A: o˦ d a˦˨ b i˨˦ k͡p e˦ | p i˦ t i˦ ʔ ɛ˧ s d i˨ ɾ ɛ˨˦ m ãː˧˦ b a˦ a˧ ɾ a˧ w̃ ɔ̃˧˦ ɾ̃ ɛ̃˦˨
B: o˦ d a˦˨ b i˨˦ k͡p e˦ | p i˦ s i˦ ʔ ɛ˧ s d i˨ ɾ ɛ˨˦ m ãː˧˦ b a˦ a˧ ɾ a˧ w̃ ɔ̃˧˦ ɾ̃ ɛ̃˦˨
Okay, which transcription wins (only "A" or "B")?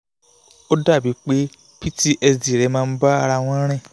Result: A